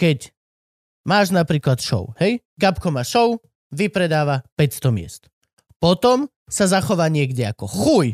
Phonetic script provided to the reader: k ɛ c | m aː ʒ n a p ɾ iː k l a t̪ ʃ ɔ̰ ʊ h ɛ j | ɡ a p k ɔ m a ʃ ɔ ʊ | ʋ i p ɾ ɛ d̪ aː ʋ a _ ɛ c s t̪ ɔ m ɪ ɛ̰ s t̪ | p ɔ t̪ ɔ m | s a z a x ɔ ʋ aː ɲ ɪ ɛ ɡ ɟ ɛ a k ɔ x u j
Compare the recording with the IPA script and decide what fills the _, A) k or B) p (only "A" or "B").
B